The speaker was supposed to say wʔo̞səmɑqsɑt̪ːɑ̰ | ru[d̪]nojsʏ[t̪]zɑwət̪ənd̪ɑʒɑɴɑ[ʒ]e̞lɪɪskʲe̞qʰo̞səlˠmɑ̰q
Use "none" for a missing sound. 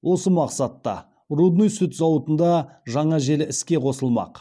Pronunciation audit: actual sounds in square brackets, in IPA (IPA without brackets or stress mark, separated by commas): d̪, t̪, ʒ